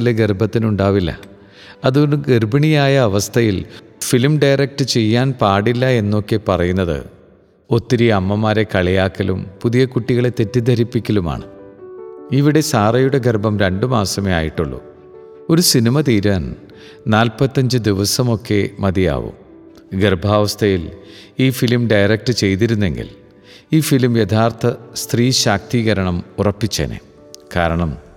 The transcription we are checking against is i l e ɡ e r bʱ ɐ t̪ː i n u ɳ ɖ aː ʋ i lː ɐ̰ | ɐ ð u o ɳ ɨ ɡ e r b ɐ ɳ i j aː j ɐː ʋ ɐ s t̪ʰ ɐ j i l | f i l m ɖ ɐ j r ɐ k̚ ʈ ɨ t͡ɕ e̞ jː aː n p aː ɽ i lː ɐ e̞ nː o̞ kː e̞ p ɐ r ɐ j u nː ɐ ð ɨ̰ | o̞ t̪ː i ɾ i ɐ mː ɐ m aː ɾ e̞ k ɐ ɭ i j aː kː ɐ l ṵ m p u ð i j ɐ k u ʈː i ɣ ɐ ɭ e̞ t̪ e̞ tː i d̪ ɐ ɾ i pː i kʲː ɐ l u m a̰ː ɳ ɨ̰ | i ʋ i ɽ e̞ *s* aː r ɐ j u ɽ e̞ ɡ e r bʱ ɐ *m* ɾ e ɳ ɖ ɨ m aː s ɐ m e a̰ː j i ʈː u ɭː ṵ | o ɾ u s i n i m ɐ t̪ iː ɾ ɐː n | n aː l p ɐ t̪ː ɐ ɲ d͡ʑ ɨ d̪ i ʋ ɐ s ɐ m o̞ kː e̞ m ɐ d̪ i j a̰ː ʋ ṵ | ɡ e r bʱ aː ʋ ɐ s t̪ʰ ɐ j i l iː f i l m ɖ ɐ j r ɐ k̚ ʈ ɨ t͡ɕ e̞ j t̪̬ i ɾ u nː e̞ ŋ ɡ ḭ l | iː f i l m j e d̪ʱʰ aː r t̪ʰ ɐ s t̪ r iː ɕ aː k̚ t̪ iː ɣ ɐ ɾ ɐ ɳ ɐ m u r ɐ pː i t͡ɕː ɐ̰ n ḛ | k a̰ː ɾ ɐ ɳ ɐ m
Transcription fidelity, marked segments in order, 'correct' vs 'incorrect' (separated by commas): correct, correct